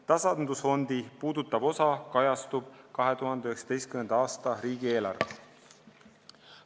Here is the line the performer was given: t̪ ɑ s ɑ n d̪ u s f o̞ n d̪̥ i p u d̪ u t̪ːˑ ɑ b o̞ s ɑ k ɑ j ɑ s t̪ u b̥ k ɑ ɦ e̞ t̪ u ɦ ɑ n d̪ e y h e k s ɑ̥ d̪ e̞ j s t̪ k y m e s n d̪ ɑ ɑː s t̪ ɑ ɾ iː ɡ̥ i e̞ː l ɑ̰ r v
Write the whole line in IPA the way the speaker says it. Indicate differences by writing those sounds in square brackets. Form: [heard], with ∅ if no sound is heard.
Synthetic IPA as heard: t̪ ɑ s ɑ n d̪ u s f o̞ n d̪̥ i p [uː] d̪ u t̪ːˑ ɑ b o̞ s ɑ k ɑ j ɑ s t̪ u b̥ k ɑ ɦ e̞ t̪ u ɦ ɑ n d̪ e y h e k s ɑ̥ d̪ e̞ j s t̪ k y m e [∅] n d̪ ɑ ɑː s t̪ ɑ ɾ iː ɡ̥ i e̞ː l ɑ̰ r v